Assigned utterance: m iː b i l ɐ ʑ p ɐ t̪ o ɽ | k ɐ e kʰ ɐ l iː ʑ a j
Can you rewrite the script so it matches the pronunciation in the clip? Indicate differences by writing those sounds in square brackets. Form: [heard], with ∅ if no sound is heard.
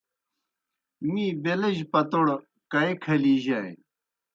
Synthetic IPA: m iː b [e] l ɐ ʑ p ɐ t̪ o ɽ | k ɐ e kʰ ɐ l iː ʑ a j